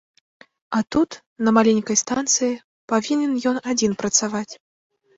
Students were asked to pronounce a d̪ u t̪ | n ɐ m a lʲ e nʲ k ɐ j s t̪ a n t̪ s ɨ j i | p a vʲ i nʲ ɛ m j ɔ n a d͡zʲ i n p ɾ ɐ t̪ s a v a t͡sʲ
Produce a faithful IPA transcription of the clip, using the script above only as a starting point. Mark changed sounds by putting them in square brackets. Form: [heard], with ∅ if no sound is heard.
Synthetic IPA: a [t̪] u t̪ | n ɐ m a lʲ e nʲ k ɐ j s t̪ a n t̪ s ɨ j i | p a vʲ i nʲ ɛ [n] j ɔ n a d͡zʲ i n p ɾ ɐ t̪ s a v a t͡sʲ